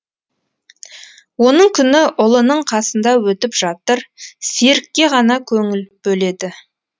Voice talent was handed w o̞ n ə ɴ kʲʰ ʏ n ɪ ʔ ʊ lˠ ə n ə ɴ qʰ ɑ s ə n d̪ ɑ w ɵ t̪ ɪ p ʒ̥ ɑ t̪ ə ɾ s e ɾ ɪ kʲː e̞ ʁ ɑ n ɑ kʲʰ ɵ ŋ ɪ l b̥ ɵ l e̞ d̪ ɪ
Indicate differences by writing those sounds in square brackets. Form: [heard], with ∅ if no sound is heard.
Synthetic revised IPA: w o̞ n ə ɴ kʲʰ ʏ n ɪ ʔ ʊ lˠ ə n ə ɴ qʰ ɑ s ə n d̪ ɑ w ɵ t̪ ɪ p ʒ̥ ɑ t̪ ə ɾ s e ɾ ɪ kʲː e̞ ʁ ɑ n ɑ kʲʰ ɵ ŋ ɪ l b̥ ɵ l e̞ d̪ ɪ